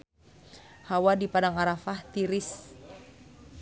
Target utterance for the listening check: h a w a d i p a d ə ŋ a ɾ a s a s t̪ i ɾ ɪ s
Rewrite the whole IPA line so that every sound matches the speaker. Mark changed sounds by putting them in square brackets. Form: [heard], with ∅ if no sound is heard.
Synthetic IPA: h a w a d i p a d [a] ŋ a ɾ a [f] a [h] t̪ i ɾ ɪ s